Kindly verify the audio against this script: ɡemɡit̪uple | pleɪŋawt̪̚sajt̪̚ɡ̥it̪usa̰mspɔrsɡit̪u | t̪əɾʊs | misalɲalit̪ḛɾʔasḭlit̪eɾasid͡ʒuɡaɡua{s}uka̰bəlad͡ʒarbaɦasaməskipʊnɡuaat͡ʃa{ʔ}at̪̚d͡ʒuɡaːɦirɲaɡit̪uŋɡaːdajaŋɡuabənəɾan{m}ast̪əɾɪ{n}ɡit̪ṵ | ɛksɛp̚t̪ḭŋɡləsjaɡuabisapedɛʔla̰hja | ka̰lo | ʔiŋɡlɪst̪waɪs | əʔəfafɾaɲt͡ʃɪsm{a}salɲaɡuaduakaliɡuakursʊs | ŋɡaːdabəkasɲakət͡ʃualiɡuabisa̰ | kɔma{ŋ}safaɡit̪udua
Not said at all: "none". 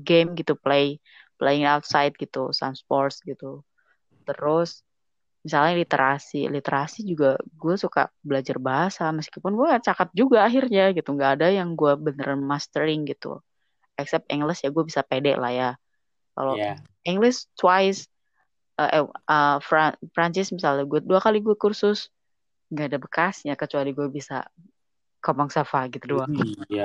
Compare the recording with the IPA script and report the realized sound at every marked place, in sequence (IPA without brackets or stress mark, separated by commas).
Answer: s, k, m, ŋ, i, ŋ